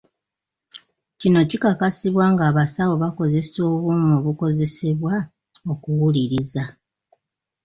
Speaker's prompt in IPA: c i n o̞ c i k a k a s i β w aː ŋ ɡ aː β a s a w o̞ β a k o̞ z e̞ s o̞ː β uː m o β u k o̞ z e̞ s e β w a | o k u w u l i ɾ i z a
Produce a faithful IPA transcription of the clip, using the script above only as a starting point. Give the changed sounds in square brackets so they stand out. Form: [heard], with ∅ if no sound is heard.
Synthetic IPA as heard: c i n o̞ c i k a k a s i β w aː ŋ ɡ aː β a s a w o̞ β a k o̞ z e̞ s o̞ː β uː m o β u k o̞ z e̞ s e β w a | o k u w u l i ɾ i z a